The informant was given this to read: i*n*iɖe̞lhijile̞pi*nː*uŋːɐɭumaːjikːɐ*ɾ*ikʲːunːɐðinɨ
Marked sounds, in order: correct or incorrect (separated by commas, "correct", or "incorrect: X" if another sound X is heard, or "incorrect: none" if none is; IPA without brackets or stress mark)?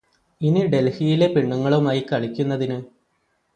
correct, incorrect: ɳː, incorrect: ɭ